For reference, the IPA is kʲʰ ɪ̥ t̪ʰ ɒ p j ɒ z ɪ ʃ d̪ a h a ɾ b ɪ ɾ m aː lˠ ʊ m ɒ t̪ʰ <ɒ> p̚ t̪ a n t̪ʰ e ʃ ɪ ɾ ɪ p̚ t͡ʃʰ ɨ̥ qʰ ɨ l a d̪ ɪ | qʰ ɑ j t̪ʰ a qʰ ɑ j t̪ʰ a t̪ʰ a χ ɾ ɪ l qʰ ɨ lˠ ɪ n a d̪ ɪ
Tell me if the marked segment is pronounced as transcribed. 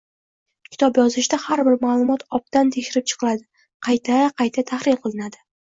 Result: yes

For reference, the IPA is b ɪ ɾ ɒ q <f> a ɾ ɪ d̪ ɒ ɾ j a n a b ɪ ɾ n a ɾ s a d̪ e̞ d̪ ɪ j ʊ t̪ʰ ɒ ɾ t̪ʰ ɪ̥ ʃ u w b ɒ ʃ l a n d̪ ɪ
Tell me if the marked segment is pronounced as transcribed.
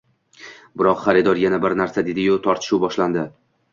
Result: no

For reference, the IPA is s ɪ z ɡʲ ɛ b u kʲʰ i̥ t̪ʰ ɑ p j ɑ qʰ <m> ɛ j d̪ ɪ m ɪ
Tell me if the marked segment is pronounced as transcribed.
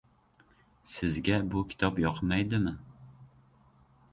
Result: yes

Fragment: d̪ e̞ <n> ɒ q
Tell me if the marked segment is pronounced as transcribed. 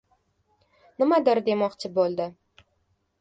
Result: no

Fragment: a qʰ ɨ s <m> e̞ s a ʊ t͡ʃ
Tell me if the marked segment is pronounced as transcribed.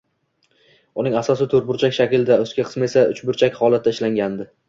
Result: yes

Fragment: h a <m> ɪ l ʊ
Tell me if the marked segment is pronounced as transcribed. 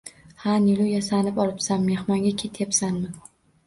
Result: no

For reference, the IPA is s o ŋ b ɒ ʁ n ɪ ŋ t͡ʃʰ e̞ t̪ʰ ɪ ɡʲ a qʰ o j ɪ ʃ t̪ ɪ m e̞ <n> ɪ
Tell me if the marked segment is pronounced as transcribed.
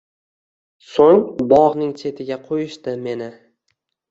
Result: yes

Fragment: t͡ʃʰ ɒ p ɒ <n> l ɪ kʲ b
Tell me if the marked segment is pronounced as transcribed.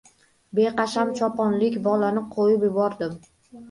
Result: yes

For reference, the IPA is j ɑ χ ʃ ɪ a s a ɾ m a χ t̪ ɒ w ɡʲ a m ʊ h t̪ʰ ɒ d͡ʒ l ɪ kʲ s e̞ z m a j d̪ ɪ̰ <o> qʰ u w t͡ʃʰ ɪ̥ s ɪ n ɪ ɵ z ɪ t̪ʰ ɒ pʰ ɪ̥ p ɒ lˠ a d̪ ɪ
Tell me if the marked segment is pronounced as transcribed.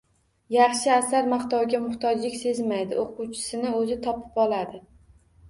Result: yes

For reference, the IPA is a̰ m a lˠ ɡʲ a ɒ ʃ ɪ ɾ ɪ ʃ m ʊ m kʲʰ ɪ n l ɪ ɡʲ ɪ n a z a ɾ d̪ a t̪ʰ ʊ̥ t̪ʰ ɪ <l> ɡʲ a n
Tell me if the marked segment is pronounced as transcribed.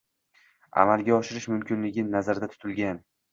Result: yes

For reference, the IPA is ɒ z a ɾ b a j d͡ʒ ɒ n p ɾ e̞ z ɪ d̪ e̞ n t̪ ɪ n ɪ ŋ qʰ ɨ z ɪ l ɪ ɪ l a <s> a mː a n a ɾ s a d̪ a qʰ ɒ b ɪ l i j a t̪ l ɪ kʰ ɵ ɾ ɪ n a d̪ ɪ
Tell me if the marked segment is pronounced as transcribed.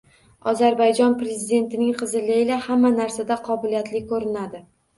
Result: no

